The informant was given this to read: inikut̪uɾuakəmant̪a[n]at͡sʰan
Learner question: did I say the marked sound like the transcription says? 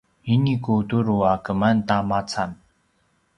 no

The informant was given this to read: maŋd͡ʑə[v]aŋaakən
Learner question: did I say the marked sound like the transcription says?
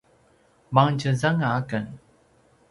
no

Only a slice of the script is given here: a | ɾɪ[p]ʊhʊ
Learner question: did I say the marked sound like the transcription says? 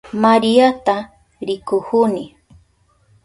no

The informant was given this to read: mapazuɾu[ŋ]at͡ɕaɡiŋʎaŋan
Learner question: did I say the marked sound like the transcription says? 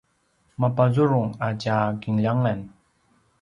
yes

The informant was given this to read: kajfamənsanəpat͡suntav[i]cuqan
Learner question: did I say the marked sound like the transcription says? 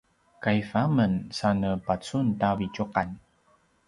yes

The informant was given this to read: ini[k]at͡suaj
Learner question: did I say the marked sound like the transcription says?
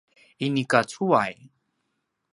yes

